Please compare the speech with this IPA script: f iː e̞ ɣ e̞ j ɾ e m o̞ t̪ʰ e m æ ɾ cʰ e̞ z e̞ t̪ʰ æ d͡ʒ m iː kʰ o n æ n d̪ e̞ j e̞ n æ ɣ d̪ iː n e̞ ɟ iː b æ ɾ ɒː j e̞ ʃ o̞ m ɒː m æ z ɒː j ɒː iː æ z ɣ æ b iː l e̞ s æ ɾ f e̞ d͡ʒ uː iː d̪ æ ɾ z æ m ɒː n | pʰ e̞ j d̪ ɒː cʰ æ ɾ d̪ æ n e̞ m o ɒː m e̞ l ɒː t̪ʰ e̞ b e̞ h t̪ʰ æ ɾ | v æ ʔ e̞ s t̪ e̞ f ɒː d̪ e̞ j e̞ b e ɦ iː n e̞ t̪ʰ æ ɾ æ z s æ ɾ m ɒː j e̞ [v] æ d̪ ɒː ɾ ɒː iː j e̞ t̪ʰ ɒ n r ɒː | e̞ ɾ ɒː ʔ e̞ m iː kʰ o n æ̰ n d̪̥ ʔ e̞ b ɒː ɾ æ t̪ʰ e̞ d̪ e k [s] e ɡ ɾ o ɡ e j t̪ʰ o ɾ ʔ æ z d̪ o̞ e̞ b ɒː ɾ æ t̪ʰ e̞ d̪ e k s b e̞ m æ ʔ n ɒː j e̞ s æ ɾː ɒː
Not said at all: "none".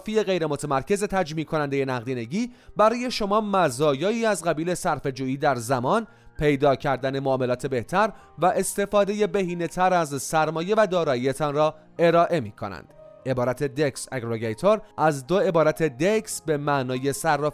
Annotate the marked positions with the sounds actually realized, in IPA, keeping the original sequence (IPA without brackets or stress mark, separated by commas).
v, s